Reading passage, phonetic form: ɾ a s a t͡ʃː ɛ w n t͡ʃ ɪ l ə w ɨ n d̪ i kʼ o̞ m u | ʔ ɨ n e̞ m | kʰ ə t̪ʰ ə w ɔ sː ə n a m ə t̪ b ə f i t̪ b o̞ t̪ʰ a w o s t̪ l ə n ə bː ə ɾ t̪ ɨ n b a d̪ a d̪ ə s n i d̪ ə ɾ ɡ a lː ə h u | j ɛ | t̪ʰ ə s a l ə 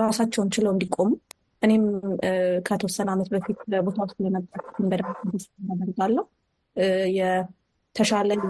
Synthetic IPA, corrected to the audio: ɾ a s a t͡ʃː ɛ w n t͡ʃ ɪ l ə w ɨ n d̪ i kʼ o̞ m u | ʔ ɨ n e̞ m | kʰ ə t̪ʰ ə w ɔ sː ə n a m ə t̪ b ə f i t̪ b o̞ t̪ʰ a w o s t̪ l ə n ə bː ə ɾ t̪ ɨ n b ə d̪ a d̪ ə s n a d̪ ə ɾ ɡ a lː ə h u | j ɛ | t̪ʰ ə ʃ a l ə